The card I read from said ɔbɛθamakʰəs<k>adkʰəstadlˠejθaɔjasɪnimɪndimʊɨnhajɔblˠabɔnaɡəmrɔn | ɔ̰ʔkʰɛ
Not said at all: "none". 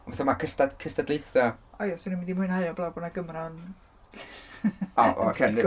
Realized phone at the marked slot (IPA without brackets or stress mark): t